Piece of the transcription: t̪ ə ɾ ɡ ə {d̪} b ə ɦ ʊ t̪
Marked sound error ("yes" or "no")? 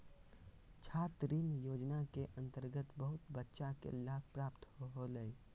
yes